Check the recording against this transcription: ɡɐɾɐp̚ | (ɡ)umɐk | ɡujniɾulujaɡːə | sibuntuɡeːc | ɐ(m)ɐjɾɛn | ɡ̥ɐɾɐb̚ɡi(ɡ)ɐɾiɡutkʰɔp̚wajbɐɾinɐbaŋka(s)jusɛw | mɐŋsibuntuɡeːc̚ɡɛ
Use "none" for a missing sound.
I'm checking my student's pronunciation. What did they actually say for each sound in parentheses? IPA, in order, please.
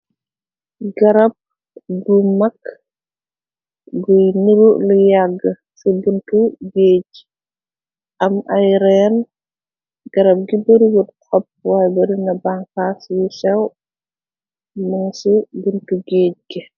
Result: ɡ, m, b, s

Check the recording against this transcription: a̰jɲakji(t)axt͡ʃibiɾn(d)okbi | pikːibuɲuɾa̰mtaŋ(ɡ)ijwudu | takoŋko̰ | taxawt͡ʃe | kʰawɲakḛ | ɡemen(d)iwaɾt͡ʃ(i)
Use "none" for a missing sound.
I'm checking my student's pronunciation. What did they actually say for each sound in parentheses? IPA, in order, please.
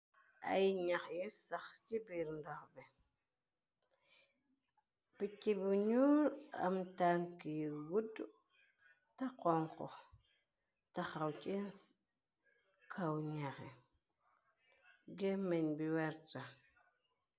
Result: s, d, k, b, a

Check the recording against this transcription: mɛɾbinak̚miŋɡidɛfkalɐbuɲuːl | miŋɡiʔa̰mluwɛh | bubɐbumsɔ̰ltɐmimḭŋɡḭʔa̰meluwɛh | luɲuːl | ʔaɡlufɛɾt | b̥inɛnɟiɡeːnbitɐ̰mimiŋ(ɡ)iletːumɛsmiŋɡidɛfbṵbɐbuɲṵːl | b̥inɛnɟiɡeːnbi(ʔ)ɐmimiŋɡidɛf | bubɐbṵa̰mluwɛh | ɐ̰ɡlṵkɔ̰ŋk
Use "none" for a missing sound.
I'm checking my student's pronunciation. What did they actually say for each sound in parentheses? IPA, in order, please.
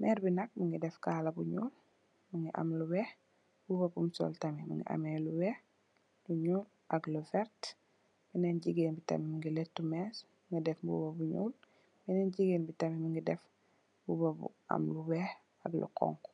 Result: ɡ, t

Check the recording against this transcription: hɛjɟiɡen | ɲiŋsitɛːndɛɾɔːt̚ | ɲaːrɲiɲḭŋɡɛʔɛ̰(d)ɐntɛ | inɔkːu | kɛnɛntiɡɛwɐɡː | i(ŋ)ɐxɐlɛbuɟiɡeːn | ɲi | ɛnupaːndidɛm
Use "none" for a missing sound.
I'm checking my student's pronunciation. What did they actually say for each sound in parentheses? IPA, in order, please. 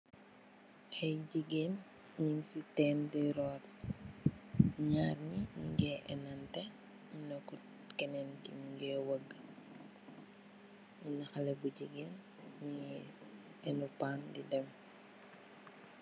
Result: n, n

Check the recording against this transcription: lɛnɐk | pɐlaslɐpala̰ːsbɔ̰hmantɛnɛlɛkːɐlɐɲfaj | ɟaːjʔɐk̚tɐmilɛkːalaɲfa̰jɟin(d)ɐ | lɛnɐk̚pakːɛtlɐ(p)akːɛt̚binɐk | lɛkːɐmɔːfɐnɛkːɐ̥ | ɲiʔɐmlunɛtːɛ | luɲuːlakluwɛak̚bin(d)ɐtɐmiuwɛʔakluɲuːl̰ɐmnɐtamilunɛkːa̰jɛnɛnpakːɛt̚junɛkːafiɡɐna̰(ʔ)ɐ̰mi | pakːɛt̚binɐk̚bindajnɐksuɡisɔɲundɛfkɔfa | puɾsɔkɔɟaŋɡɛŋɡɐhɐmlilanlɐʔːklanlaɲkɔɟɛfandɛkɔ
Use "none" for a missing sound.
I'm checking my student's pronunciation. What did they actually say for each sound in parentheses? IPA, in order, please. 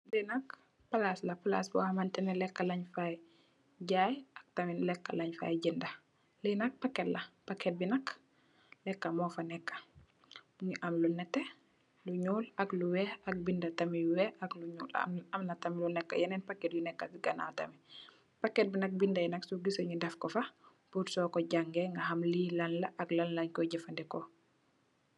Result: d, p, d, t

